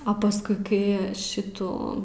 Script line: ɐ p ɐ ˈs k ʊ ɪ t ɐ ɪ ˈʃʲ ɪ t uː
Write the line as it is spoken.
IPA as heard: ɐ p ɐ ˈs k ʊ ɪ k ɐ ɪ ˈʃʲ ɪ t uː